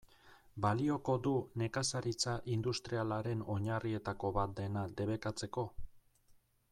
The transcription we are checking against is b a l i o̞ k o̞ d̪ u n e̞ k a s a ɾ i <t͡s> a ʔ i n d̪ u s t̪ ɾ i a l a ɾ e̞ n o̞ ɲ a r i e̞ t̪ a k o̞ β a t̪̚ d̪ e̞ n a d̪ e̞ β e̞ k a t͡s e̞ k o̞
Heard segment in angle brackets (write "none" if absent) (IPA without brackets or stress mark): t͡s